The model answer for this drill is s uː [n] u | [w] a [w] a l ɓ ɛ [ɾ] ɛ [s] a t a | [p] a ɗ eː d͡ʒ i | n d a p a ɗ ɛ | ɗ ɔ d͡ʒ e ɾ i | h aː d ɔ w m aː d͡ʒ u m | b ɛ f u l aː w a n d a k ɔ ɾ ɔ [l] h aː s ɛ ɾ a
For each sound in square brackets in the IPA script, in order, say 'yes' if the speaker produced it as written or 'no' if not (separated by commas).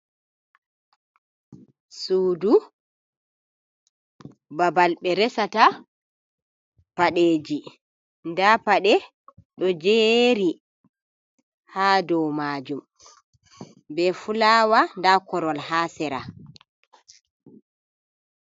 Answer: no, no, no, yes, yes, yes, yes